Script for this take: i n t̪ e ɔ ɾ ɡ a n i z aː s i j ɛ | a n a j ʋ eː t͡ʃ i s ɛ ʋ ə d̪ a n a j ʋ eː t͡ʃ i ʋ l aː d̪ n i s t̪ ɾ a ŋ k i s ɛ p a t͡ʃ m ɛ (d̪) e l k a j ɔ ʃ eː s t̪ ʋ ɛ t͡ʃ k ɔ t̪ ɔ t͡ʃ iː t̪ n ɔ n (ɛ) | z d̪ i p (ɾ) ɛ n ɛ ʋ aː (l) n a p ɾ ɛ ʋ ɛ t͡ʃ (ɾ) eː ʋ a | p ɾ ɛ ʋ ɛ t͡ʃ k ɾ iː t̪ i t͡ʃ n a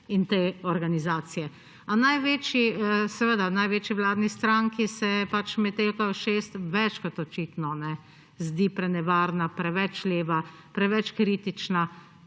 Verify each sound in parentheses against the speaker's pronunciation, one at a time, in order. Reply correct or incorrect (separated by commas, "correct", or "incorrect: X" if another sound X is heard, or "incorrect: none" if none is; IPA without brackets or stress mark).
incorrect: t̪, correct, correct, incorrect: ɾ, incorrect: l